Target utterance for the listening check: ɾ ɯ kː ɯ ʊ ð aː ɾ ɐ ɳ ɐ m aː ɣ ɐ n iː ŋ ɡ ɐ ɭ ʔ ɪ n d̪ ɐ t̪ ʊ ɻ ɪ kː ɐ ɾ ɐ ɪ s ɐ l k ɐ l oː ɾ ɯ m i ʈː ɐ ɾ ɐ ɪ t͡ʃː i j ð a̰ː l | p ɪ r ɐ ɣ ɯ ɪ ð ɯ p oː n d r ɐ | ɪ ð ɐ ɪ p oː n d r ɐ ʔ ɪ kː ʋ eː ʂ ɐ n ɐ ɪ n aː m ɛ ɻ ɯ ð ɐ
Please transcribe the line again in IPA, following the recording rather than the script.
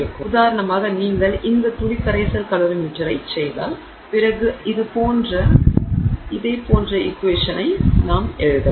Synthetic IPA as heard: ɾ ɯ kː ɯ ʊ ð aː ɾ ɐ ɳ ɐ m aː ɣ ɐ n iː ŋ ɡ ɐ ɭ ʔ ɪ n d̪ ɐ t̪ ʊ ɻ ɪ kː ɐ ɾ ɐ ɪ s ɐ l k ɐ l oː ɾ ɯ m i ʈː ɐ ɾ ɐ ɪ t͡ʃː ɛ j ð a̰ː l | p ɪ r ɐ ɣ ɯ ɪ ð ɯ p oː n d r ɐ | ɪ ð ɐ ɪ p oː n d r ɐ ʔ ɪ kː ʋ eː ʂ ɐ n ɐ ɪ n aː m ɛ ɻ ɯ ð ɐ